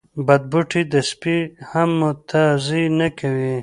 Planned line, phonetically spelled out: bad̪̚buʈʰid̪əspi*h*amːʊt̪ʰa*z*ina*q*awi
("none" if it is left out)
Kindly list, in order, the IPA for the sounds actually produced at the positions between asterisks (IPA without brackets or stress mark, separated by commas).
h, z, k